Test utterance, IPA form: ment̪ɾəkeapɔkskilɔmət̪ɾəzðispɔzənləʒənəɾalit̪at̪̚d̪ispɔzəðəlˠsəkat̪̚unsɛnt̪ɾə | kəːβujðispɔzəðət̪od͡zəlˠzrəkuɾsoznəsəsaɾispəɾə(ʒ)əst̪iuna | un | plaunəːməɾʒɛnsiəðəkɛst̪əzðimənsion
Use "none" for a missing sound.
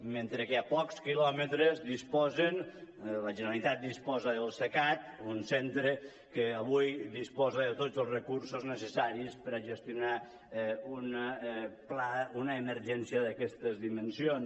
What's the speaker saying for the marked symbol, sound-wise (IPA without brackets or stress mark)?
ʒ